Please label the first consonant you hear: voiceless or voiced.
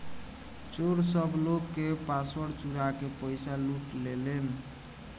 voiceless